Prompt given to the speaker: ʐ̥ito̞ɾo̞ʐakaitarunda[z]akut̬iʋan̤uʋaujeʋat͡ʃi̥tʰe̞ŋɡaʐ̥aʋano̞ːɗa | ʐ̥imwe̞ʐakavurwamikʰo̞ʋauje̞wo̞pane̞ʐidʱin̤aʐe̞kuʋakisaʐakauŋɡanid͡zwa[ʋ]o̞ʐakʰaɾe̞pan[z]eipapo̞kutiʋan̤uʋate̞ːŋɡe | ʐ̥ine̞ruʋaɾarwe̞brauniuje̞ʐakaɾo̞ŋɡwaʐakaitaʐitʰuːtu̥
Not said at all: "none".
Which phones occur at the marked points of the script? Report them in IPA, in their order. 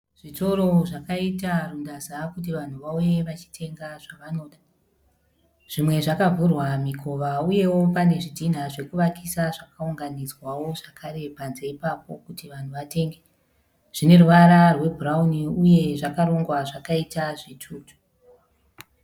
z, w, z

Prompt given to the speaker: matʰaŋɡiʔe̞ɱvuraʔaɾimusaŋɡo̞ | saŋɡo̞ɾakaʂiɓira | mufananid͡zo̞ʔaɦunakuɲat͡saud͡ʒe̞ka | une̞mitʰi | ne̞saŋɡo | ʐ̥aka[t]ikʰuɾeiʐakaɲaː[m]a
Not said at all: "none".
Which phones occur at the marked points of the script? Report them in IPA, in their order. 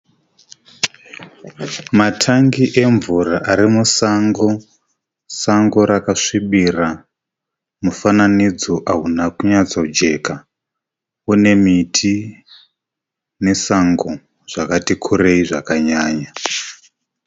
t, ɲ

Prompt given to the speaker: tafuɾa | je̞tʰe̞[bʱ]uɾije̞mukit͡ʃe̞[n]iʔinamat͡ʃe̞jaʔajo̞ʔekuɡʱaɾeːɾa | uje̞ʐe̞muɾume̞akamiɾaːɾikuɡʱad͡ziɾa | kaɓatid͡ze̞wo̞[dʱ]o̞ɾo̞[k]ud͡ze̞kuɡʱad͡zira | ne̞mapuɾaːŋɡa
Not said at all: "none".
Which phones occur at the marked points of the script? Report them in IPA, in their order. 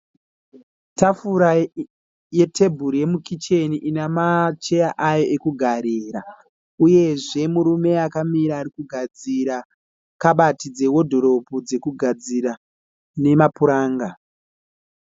bʱ, n, dʱ, p

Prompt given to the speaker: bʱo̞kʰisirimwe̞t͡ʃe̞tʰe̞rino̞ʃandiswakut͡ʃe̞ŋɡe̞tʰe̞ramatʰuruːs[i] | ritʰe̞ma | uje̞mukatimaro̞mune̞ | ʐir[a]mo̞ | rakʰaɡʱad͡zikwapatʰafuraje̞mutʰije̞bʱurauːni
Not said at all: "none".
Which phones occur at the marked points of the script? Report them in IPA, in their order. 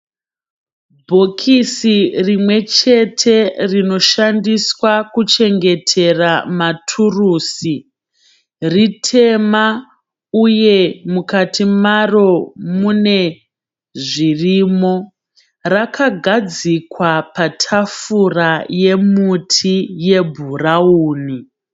i, i

